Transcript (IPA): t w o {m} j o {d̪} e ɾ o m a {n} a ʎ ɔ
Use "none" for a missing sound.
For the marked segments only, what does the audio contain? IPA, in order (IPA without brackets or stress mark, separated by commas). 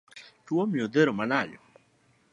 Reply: m, d̪, n